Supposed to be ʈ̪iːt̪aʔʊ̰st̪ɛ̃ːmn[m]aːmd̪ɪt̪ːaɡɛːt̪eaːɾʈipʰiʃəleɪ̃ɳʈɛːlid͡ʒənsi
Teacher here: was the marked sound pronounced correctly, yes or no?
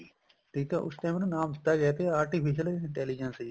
no